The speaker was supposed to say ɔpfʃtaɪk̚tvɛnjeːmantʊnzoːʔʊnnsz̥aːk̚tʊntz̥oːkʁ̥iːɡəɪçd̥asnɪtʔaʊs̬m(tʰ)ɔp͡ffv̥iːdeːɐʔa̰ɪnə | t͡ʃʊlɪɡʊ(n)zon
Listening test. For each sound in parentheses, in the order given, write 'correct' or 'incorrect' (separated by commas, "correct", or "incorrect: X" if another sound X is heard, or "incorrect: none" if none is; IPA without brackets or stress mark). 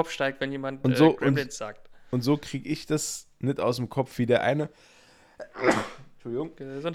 incorrect: kʰ, incorrect: ŋ